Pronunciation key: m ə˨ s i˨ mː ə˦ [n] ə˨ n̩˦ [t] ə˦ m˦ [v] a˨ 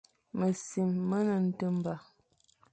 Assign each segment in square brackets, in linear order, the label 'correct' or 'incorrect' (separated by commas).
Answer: correct, correct, incorrect